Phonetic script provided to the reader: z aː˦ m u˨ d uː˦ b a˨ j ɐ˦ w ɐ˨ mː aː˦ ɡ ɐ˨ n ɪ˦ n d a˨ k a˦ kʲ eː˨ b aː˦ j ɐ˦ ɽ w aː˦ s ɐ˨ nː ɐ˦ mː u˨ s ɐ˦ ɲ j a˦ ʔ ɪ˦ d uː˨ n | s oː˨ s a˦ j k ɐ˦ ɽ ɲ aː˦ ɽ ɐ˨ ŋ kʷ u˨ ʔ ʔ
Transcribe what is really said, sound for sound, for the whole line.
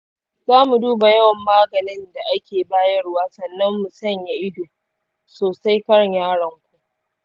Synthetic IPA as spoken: z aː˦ m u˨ d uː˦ b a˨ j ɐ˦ w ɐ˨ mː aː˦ ɡ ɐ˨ n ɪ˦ n d a˨ ʔ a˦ kʲ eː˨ b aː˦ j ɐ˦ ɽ w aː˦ s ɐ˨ nː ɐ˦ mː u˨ s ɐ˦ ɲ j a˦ ʔ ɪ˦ d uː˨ | s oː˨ s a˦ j k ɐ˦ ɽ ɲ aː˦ ɽ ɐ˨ ŋ kʷ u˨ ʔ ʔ

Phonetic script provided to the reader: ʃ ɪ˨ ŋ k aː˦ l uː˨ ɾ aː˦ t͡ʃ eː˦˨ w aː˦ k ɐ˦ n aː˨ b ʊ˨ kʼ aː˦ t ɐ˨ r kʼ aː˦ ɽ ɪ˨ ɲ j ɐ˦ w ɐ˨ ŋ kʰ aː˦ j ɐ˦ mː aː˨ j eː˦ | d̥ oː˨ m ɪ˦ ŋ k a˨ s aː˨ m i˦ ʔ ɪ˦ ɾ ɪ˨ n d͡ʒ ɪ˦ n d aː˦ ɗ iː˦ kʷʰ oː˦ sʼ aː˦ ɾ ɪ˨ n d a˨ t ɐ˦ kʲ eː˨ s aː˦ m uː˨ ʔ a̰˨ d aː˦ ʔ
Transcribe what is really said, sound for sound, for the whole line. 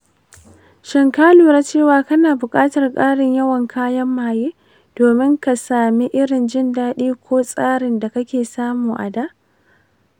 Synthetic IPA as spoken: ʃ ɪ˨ ŋ k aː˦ l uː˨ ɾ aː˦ t͡ʃ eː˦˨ w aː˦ k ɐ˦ n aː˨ b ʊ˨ kʼ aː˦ t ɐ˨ r kʼ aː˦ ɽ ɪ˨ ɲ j ɐ˦ w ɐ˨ ŋ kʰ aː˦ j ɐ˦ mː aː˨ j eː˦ | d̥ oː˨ m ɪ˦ ŋ k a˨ s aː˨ m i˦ ʔ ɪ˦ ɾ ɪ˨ n d͡ʒ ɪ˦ n d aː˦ ɗ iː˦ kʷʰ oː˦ sʼ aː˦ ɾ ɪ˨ n d a˨ k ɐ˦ kʲ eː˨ s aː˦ m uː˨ ʔ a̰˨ d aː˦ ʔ

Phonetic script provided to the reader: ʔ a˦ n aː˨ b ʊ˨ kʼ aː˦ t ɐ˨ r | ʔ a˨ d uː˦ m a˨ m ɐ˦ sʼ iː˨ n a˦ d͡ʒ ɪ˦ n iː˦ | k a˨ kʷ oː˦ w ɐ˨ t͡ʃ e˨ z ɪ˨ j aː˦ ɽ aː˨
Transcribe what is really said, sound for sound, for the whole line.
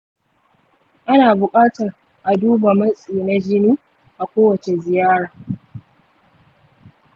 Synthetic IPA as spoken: ʔ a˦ n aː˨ b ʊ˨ kʼ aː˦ t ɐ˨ r | ʔ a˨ d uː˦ b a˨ m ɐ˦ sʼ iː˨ n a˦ d͡ʒ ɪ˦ n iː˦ | ʔ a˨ kʷ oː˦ w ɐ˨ t͡ʃ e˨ z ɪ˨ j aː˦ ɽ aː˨

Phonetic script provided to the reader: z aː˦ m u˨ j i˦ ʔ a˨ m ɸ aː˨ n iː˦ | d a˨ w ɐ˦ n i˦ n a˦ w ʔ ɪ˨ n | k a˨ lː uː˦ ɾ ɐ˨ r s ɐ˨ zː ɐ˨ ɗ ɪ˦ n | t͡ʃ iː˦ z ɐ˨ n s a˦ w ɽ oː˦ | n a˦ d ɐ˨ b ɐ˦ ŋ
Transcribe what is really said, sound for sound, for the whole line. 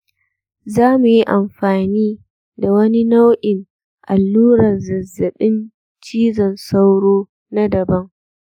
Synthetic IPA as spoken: z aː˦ m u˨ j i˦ ʔ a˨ m ɸ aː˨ n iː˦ | d a˨ w ɐ˦ n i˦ n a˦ w ʔ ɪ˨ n | ʔ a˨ lː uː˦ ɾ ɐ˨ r z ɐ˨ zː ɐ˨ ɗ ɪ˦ n | t͡ʃ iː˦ z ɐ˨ n s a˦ w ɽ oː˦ | n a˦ d ɐ˨ b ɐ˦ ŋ

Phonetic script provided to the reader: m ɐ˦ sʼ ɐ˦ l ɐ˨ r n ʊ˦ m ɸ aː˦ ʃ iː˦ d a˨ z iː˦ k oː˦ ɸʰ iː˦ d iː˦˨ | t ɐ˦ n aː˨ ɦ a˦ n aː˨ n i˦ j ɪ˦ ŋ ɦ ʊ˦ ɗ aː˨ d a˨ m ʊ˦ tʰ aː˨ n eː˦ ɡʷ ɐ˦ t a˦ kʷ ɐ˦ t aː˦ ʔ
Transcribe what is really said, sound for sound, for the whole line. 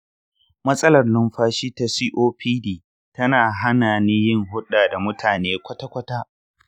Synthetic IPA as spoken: m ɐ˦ sʼ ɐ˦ l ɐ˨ r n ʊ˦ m ɸ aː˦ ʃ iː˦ t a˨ s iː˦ ʔ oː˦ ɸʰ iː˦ d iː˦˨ | t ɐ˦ n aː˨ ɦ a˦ n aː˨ n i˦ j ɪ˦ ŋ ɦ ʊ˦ ɗ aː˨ d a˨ m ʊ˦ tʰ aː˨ n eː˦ kʷ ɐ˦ t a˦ kʷ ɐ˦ t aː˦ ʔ

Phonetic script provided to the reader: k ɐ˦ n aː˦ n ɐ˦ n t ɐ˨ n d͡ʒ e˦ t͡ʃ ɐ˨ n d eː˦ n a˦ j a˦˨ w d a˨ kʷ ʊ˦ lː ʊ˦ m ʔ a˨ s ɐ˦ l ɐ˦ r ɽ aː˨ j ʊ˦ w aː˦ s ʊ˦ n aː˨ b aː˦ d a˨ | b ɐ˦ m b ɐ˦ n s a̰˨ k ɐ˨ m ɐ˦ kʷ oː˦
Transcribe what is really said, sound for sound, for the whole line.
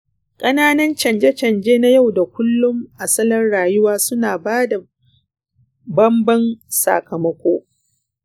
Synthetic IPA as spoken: kʼ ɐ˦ n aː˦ n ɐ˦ n t͡ʃ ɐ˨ n d͡ʒ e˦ t͡ʃ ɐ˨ n d͡ʒ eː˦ n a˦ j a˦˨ w d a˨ kʷ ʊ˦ lː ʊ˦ m ʔ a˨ s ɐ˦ l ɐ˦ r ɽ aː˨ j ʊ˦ w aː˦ s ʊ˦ n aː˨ b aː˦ d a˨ | b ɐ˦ m b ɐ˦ n s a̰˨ k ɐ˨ m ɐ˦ kʷ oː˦

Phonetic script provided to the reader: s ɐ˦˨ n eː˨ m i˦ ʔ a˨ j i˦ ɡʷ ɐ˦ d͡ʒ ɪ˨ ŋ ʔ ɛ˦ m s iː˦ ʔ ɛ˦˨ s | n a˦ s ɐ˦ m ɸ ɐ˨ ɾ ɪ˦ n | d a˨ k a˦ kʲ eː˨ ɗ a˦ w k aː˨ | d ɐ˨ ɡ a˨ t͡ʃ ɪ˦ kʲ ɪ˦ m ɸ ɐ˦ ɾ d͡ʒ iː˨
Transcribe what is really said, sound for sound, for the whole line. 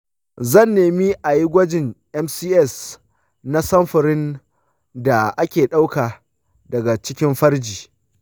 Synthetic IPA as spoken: z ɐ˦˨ nː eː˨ m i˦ ʔ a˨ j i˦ ɡʷ ɐ˦ d͡ʒ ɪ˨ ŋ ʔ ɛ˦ m s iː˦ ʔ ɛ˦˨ s | n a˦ s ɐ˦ m ɸ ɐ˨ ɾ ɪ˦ n | d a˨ ʔ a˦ kʲ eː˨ ɗ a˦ w k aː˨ | d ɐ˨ ɡ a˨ t͡ʃ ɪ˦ kʲ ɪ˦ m ɸ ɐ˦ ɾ d͡ʒ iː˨

